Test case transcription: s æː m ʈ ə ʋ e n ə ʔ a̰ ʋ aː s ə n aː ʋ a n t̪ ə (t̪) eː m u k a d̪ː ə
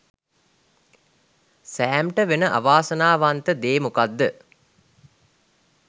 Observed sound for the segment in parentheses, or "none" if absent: d̪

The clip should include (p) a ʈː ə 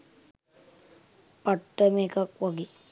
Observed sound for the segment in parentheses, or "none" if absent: p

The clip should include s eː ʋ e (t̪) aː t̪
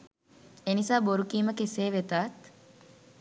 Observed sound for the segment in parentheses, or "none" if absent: t̪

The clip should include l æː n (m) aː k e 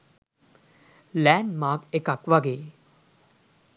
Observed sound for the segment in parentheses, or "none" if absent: m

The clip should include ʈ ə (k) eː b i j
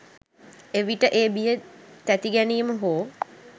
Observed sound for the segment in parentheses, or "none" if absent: ʔ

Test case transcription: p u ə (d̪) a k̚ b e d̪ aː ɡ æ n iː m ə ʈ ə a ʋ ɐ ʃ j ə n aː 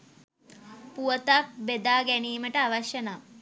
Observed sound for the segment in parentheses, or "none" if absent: t̪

